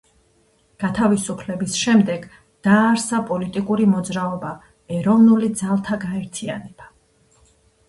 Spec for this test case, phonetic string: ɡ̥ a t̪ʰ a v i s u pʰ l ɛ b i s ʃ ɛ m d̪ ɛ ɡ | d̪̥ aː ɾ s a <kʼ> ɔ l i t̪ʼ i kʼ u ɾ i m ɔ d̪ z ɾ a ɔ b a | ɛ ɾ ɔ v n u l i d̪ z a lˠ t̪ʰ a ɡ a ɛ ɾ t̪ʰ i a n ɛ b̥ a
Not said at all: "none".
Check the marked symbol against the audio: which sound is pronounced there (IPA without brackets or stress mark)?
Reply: pʼ